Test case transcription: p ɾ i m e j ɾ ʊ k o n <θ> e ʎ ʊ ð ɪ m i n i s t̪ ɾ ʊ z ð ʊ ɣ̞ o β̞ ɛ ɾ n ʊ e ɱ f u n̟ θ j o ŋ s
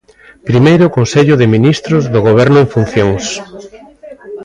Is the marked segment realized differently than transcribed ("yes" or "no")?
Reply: yes